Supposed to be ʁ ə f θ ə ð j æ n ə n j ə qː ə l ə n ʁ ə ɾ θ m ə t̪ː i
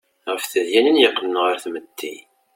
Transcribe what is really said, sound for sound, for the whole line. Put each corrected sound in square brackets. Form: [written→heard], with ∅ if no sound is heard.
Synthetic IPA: ʁ ə f θ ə ð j æ n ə n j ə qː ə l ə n ʁ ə ɾ θ m ə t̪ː i